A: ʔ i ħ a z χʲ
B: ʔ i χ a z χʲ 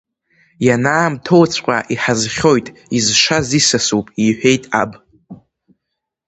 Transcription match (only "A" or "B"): A